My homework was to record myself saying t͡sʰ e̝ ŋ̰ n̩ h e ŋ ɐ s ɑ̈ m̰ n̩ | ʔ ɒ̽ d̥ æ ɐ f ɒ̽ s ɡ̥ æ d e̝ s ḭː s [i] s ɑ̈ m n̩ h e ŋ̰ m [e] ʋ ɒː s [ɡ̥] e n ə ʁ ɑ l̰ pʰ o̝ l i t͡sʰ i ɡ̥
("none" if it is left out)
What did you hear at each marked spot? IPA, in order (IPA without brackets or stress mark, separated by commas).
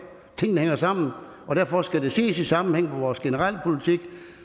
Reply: i, e, ɡ̥